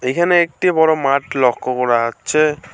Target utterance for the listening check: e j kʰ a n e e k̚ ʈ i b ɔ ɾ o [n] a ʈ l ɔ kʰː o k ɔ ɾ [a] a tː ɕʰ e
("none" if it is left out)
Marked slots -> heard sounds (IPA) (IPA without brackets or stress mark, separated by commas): m, a